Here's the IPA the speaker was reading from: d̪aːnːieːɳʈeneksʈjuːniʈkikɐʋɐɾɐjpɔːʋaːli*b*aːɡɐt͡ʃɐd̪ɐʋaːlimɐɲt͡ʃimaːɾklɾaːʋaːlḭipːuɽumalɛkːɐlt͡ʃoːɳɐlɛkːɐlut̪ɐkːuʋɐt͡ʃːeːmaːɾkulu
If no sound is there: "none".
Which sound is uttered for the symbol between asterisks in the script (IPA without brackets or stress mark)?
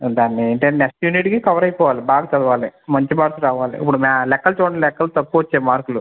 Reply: b